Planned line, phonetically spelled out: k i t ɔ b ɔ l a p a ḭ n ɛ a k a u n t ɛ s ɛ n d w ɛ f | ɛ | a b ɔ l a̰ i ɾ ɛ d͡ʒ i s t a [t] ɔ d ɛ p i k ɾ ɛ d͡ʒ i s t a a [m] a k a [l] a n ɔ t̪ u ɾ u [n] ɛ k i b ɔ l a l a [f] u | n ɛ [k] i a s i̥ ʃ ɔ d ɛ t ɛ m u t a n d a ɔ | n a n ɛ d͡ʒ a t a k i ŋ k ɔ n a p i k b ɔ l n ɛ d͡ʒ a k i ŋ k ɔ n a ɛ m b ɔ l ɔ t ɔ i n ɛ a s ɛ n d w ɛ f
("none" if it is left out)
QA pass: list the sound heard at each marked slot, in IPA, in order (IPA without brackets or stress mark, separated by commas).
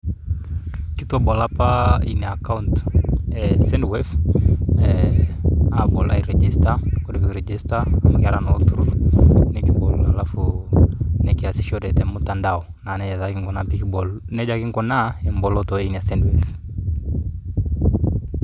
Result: k, m, ɾ, n, f, k